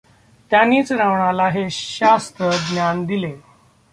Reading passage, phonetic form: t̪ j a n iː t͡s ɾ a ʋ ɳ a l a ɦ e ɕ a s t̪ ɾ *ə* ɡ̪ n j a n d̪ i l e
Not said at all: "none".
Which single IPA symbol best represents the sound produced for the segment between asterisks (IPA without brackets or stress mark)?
ə